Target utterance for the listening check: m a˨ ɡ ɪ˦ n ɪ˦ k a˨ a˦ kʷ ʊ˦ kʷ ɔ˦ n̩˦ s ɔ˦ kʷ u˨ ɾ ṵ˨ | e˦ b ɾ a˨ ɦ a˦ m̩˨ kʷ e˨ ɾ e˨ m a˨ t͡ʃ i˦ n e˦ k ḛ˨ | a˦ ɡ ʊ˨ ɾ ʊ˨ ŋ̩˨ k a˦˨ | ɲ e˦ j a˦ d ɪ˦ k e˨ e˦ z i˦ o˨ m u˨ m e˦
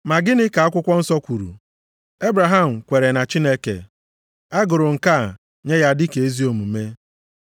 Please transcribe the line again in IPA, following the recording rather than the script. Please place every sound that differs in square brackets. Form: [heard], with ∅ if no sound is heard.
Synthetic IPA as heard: m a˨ ɡ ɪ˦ n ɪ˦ k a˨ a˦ kʷ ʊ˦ kʷ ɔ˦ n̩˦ s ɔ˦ kʷ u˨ ɾ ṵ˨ | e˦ b ɾ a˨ ɦ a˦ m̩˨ kʷ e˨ ɾ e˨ [n] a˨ t͡ʃ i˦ n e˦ k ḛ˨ | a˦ ɡ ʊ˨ ɾ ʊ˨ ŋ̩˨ k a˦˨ | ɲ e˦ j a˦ d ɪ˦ k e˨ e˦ z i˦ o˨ m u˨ m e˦